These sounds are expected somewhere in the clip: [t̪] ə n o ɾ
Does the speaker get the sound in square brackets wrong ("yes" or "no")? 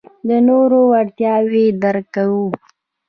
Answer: yes